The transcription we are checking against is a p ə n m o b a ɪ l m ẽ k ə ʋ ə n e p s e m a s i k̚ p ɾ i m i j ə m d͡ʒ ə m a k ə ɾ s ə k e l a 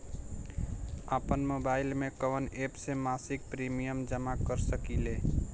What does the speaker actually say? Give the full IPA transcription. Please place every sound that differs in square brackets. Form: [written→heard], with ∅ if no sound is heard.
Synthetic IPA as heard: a p ə n m o b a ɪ l m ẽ k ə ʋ ə n e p s e m a s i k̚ p ɾ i m i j ə m d͡ʒ ə m a k ə ɾ s ə k [e→i] l [a→e]